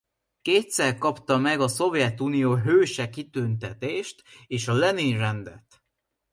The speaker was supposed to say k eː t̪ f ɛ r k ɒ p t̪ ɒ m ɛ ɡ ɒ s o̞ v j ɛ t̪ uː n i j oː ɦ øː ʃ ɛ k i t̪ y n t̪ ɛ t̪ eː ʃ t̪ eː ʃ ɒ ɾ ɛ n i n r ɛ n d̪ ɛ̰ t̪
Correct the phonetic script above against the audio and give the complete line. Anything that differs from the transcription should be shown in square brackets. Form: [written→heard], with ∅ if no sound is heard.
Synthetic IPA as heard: k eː t̪ [f→s] ɛ r k ɒ p t̪ ɒ m ɛ ɡ ɒ s o̞ v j ɛ t̪ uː n i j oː ɦ øː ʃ ɛ k i t̪ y n t̪ ɛ t̪ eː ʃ t̪ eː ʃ ɒ [ɾ→l] ɛ n i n r ɛ n d̪ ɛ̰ t̪